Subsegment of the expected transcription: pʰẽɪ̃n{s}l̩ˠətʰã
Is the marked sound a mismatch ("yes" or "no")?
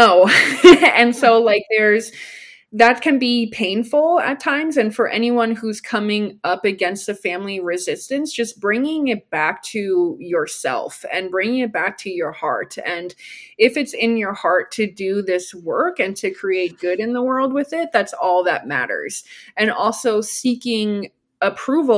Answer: yes